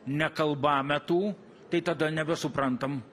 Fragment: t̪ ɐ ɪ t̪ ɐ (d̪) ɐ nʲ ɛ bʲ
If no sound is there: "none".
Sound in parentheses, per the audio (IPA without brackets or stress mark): d̪